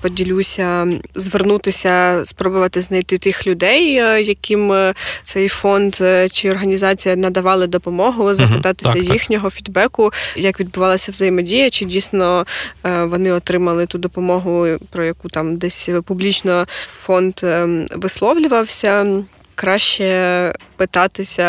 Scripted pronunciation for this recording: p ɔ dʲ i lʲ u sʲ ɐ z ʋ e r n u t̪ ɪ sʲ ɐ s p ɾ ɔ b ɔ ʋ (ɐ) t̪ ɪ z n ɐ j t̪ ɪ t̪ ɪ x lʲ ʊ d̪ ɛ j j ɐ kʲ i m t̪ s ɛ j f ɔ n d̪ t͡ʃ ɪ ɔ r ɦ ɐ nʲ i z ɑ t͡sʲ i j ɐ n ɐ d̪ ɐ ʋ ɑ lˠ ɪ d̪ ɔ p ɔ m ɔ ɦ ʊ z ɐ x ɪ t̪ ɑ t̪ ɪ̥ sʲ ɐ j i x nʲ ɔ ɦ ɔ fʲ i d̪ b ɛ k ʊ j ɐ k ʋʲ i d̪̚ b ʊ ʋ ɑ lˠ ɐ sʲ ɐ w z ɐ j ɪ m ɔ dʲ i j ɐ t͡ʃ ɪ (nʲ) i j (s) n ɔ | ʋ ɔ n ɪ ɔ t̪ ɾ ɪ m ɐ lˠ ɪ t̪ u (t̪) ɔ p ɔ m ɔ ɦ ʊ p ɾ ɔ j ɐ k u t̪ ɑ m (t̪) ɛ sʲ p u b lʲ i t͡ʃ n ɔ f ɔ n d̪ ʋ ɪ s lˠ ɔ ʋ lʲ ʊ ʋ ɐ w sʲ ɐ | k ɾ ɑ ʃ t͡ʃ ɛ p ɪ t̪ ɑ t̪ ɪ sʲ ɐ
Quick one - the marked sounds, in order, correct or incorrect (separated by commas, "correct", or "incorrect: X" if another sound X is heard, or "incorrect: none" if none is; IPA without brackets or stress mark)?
correct, incorrect: dʲ, correct, incorrect: d̪, incorrect: d̪